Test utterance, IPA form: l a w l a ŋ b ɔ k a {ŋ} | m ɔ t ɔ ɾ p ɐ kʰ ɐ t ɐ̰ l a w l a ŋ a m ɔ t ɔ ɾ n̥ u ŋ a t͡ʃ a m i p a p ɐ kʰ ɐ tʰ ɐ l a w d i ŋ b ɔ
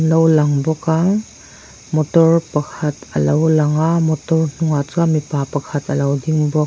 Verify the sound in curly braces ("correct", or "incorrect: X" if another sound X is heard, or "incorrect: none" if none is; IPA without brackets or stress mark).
correct